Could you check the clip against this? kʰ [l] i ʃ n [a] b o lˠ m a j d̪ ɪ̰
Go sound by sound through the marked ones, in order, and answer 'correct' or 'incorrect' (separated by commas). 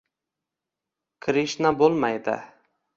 incorrect, correct